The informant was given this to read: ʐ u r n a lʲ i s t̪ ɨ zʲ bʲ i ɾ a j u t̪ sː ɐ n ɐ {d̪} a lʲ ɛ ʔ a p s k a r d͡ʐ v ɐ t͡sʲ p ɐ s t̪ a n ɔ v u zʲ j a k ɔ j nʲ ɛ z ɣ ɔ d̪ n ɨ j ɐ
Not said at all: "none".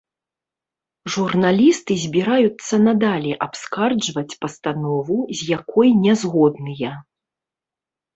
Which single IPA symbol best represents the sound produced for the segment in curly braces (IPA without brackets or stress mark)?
d̪